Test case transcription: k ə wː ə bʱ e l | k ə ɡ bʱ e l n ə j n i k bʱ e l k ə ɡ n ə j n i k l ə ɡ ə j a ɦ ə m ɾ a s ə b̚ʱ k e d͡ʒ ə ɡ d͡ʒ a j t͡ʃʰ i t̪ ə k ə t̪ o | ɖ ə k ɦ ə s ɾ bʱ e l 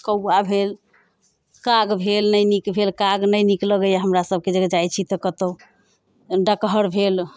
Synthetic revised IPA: k ə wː a bʱ e l | k a ɡ bʱ e l n ə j n i k bʱ e l k a ɡ n ə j n i k l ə ɡ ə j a ɦ ə m ɾ a s ə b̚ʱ k e d͡ʒ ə ɡ d͡ʒ a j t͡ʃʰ i t̪ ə k ə t̪ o | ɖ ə k ɦ ə ɾ bʱ e l